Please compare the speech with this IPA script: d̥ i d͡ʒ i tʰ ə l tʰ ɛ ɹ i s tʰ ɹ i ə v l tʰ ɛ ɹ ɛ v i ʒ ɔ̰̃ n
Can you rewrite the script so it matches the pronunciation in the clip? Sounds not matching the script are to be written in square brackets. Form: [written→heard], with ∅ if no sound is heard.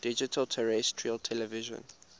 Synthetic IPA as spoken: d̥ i d͡ʒ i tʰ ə l tʰ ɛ ɹ [i→ɛ] s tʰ ɹ i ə [v→∅] l tʰ ɛ [ɹ→l] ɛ v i ʒ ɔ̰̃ n